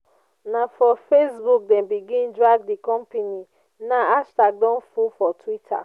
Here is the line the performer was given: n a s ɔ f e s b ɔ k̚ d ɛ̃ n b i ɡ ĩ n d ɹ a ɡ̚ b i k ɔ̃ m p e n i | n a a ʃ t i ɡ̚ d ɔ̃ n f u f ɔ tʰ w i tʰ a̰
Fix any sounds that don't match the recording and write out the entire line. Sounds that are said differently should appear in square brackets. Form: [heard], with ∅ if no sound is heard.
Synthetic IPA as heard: n a [f] ɔ f e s b [u] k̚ d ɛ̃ n b i ɡ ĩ n d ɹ a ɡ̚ [d] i k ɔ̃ m p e n i | n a a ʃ t [a] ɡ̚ d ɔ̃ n f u f ɔ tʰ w i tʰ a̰